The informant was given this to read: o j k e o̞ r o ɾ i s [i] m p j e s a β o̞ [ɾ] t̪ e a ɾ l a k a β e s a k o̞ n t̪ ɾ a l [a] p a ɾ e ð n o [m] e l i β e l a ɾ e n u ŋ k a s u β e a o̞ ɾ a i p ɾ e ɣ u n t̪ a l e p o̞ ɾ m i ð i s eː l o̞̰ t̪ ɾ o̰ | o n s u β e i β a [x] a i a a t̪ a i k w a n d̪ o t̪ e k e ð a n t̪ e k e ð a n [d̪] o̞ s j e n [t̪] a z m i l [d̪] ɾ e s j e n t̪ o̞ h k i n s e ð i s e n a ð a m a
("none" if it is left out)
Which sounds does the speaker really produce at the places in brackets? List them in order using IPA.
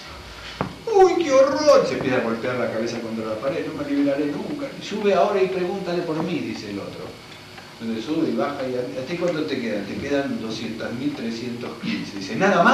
e, l, a, m, x, d̪, t̪, t̪

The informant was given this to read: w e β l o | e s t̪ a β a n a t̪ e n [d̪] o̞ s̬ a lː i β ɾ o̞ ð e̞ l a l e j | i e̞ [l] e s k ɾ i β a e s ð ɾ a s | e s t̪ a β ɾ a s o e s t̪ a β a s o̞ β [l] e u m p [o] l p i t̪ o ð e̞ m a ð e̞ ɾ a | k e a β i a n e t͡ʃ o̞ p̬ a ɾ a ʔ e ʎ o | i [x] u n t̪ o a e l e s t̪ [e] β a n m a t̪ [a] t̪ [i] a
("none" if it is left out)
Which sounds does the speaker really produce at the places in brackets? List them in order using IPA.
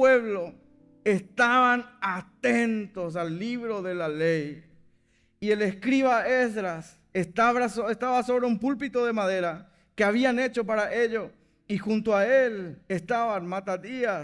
t̪, l, ɾ, u, x, a, a, i

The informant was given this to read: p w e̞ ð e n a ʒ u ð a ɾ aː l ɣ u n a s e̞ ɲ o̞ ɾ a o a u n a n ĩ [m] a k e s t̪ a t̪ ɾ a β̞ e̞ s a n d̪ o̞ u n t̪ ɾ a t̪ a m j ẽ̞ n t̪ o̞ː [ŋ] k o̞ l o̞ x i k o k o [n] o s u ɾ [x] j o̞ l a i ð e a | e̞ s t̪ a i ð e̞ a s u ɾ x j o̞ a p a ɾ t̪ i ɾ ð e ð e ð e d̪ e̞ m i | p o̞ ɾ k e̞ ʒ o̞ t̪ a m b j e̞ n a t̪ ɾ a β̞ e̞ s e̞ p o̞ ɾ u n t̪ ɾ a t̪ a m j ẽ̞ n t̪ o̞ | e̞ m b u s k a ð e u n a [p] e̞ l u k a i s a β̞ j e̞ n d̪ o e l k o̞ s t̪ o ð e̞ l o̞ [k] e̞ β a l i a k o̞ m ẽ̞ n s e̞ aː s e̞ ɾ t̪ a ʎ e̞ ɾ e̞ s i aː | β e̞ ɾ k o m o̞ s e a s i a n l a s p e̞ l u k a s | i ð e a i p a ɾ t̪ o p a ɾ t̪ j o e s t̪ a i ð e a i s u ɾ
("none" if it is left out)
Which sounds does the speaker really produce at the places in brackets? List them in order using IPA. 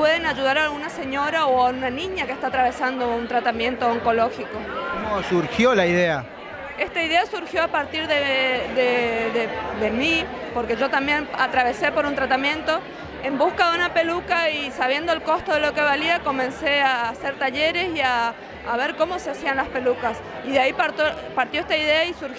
ɲ, ŋ, m, x, p, k

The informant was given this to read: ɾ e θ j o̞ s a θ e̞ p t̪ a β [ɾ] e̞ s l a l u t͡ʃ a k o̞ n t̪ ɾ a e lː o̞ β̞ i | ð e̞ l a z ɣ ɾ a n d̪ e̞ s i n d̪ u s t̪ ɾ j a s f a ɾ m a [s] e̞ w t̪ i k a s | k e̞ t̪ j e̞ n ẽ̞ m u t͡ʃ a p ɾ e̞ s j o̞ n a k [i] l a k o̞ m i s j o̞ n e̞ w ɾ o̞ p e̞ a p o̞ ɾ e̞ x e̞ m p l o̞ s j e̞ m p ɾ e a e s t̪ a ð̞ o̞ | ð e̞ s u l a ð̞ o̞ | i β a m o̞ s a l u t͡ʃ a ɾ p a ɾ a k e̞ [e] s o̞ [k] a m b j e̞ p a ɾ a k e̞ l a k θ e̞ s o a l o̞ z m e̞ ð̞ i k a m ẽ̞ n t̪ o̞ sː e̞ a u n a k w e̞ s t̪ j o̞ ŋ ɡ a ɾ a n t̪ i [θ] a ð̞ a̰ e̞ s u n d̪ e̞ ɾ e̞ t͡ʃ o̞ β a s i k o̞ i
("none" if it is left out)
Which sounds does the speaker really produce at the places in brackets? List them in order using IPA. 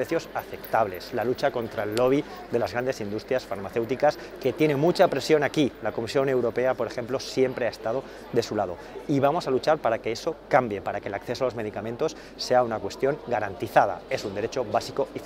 l, θ, i, e, k, θ

